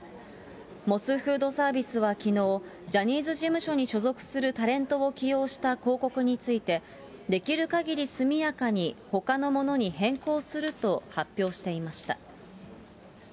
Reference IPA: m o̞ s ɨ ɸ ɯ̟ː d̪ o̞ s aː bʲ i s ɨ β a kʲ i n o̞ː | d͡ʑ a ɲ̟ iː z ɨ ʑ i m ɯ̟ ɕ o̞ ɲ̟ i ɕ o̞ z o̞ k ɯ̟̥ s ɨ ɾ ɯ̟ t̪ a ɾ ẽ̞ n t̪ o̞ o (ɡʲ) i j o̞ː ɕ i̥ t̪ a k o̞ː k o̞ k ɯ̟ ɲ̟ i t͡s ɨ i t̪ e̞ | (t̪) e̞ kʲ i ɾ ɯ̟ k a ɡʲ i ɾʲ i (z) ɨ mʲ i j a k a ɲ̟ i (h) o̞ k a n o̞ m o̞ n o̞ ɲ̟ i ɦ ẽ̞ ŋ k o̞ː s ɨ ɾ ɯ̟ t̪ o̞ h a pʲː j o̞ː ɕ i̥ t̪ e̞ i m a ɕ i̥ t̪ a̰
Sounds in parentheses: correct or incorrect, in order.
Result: incorrect: kʲ, incorrect: d̪, incorrect: s, correct

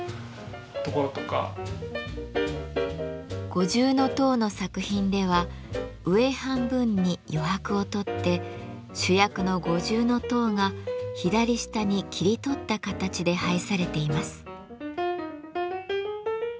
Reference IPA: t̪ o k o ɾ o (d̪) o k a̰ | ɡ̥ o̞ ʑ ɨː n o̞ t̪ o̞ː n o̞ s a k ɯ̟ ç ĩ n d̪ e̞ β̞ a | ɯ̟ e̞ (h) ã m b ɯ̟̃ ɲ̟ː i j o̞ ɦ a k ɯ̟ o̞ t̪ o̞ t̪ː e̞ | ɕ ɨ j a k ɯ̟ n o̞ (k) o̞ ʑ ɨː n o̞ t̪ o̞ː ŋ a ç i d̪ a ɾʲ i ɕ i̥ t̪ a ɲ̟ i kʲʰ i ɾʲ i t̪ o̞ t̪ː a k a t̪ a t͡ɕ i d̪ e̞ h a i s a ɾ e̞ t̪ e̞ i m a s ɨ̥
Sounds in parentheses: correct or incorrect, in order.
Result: incorrect: t̪, correct, incorrect: ɡ

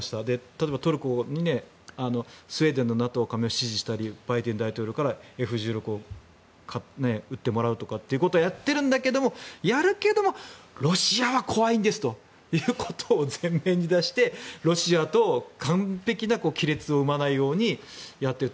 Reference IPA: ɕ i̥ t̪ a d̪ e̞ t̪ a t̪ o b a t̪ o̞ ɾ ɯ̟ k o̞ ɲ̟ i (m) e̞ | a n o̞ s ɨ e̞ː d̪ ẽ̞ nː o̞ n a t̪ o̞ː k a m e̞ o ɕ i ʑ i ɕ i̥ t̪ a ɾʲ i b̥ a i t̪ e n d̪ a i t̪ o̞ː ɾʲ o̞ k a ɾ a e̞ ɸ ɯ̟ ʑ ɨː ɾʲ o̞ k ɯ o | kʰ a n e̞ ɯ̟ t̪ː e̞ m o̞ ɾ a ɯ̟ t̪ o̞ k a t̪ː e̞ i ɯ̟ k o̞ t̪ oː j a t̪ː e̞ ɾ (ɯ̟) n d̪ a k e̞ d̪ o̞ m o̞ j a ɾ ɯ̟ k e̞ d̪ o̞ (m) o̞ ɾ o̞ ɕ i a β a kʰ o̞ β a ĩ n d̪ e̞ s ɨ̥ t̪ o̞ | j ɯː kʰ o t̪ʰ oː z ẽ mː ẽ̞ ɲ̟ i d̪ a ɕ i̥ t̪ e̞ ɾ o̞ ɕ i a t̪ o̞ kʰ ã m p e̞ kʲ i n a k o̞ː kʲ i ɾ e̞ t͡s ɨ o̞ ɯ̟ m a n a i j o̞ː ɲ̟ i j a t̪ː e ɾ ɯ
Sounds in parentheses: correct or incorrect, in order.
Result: incorrect: n, incorrect: ɯ̟̃, correct

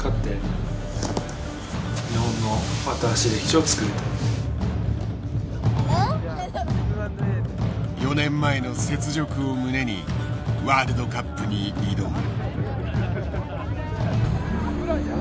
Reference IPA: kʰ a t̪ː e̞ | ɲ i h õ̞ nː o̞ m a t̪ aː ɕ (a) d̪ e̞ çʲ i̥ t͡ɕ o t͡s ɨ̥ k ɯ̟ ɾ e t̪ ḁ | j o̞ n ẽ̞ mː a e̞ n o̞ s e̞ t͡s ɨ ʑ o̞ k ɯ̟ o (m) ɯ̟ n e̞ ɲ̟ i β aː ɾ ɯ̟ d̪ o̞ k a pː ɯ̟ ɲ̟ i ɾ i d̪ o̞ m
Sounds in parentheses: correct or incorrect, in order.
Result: incorrect: i, correct

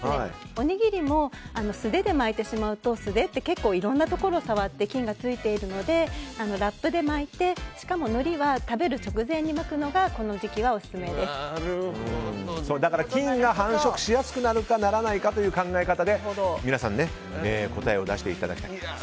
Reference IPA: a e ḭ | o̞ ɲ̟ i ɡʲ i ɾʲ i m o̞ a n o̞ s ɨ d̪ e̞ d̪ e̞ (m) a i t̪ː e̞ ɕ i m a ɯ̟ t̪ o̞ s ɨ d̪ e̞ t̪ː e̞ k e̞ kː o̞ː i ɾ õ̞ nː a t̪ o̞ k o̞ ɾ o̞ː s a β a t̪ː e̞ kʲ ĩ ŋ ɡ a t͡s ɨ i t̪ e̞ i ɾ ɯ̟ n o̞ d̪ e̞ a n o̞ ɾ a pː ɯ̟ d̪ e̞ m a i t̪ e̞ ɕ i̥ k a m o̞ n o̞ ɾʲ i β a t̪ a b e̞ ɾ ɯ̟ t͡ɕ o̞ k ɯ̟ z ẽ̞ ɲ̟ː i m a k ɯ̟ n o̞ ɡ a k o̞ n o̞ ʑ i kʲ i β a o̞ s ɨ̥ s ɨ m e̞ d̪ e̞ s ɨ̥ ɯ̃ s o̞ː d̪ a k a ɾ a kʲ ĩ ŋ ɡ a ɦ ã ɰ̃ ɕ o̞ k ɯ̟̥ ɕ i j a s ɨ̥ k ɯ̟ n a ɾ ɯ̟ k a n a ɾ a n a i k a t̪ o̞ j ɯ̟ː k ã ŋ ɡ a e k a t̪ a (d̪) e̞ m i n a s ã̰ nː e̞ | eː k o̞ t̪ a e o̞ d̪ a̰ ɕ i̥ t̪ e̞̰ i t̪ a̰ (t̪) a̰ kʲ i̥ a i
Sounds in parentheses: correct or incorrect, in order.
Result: correct, correct, incorrect: d̪

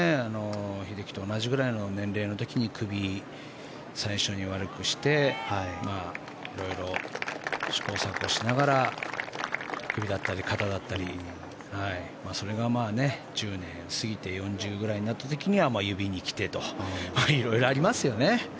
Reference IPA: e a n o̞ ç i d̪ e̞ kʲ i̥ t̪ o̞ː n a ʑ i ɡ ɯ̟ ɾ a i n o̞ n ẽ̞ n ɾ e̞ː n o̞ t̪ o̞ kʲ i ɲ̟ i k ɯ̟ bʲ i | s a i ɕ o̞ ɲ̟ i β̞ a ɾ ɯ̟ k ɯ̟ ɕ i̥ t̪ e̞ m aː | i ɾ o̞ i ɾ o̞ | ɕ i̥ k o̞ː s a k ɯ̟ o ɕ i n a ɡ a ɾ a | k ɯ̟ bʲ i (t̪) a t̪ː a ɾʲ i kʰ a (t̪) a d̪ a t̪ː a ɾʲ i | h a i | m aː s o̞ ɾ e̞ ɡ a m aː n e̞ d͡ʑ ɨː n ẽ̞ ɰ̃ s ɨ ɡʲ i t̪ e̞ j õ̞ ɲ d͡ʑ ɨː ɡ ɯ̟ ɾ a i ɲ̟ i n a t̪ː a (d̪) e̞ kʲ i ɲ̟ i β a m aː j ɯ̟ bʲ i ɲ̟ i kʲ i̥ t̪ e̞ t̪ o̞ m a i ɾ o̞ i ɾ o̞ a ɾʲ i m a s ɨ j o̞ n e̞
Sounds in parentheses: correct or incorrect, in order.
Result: incorrect: d̪, correct, incorrect: t̪

